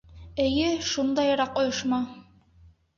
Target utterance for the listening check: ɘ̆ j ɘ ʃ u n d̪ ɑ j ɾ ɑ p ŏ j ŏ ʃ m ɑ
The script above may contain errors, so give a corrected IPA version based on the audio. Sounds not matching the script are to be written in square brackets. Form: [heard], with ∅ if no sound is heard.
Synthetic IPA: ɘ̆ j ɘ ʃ u n d̪ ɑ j ɾ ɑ [q] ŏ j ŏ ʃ m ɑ